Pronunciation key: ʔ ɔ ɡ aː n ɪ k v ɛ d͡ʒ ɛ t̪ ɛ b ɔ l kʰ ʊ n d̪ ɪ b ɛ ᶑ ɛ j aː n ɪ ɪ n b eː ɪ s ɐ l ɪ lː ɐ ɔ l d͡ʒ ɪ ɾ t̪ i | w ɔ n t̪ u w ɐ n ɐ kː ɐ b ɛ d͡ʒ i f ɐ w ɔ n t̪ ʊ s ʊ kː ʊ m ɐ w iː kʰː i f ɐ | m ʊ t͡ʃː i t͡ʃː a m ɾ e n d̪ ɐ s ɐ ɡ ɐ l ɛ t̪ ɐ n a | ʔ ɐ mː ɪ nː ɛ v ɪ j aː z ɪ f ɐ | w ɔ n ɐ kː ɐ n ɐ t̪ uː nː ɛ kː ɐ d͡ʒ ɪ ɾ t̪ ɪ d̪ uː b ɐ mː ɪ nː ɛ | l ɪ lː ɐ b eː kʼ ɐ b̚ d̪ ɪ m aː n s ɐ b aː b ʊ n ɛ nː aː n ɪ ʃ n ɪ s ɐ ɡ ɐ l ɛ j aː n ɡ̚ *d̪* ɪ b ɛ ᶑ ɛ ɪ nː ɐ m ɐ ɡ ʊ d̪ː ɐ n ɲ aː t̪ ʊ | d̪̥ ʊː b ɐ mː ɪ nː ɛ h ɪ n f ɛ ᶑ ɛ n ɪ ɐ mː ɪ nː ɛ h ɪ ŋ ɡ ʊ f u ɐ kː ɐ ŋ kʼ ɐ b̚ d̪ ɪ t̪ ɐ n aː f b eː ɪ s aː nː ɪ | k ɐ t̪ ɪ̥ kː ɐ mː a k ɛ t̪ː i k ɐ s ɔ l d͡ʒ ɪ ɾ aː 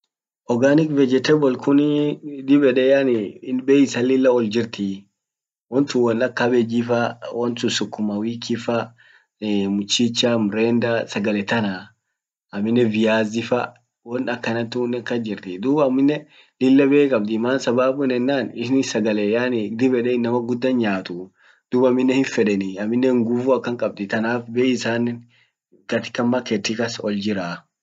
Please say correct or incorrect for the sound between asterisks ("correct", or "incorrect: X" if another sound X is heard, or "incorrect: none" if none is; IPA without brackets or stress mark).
correct